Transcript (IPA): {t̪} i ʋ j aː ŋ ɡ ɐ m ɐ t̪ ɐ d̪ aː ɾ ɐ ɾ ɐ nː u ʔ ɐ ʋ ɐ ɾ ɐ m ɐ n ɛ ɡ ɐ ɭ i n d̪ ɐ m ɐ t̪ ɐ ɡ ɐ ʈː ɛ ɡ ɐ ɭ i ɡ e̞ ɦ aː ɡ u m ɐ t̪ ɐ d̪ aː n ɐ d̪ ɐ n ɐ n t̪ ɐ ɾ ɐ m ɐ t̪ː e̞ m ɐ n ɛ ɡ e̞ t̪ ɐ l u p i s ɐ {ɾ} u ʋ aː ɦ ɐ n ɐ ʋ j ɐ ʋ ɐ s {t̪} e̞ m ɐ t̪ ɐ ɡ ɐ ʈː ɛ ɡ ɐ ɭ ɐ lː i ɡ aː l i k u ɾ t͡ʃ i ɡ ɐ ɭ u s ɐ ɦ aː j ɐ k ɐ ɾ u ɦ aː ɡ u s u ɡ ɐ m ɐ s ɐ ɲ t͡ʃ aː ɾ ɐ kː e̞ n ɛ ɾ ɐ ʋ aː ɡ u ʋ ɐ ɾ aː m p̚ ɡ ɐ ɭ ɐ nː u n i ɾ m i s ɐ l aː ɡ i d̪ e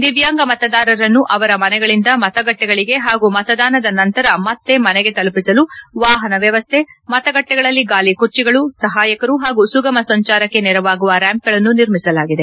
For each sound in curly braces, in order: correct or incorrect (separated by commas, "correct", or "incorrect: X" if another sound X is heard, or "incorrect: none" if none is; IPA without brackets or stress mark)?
incorrect: d̪, incorrect: l, incorrect: t̪ʰ